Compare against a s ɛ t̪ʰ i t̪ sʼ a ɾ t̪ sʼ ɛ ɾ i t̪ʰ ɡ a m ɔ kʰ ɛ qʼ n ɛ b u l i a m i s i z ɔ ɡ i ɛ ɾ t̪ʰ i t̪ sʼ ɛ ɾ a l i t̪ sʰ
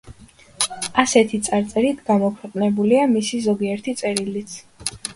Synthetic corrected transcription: a s ɛ t̪ʰ i t̪ sʼ a ɾ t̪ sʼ ɛ ɾ i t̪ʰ ɡ a m ɔ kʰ ɛ qʼ n ɛ b u l i a m i s i z ɔ ɡ i ɛ ɾ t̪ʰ i t̪ sʼ ɛ ɾ i l i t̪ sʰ